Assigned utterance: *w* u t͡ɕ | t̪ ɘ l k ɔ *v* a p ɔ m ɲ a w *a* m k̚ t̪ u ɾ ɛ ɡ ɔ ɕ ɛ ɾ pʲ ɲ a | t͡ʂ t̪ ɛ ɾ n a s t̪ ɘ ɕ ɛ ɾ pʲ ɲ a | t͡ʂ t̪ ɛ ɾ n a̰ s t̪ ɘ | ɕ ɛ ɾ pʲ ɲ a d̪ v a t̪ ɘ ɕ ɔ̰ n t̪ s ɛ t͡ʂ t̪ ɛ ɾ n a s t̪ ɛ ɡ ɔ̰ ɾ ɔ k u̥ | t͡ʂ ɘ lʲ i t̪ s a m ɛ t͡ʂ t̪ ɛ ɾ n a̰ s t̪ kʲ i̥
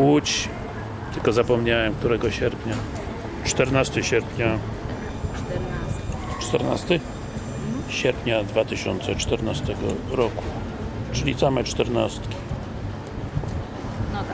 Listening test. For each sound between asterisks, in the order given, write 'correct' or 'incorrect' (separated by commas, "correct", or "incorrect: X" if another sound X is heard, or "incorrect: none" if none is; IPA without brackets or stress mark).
correct, incorrect: z, incorrect: ɛ